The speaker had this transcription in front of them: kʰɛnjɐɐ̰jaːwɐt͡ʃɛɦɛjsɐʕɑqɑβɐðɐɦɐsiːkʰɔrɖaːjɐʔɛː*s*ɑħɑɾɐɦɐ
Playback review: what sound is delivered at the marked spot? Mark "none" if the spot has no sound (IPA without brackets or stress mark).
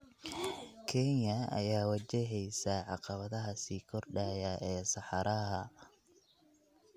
s